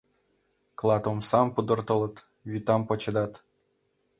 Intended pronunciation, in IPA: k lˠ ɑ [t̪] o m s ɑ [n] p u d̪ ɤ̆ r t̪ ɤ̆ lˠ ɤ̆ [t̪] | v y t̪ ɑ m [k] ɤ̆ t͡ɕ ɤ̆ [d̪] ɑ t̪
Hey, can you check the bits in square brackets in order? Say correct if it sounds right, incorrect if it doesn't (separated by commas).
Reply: correct, incorrect, correct, incorrect, correct